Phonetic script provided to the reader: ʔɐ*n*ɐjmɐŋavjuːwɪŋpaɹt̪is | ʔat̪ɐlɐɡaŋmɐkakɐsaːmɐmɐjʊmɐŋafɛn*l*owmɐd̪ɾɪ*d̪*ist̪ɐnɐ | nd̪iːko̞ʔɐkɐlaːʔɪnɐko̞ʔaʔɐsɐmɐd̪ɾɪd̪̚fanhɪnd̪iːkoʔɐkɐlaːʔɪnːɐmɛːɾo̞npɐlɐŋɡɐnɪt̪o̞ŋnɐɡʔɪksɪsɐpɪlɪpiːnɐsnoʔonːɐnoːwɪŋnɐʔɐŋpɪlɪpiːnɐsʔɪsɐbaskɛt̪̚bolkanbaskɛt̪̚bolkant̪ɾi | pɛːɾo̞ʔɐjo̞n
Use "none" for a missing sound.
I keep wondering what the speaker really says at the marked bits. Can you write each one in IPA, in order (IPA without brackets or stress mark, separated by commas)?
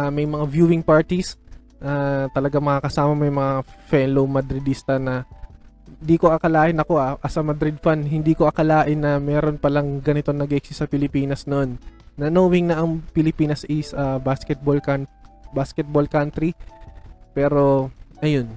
m, l, d̪